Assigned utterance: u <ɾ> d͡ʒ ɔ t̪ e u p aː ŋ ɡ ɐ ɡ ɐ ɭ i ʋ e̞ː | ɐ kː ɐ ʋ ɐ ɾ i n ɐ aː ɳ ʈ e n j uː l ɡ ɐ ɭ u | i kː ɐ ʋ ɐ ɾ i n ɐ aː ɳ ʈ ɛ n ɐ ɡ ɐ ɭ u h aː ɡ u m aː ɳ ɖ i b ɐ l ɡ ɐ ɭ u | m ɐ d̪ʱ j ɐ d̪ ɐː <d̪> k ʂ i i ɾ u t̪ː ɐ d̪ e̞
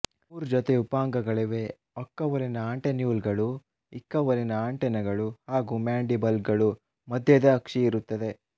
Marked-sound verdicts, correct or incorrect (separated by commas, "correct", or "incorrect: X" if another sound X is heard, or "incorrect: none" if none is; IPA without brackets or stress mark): correct, incorrect: none